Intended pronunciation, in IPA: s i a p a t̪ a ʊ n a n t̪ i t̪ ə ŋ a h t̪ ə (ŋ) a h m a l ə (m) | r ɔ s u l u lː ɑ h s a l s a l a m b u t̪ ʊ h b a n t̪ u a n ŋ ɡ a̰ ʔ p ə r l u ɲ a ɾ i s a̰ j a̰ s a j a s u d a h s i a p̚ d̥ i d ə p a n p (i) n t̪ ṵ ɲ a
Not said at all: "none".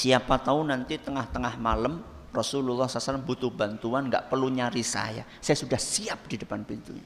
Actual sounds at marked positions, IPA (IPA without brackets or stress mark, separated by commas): ŋ, m, i